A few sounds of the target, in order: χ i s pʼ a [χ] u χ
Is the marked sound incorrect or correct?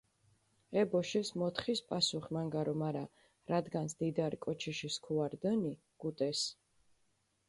incorrect